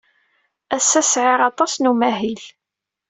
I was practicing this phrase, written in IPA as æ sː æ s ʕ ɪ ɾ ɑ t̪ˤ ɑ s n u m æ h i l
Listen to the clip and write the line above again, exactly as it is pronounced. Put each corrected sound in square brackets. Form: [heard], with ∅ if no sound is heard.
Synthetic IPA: æ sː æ s ʕ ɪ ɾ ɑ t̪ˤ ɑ s n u m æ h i l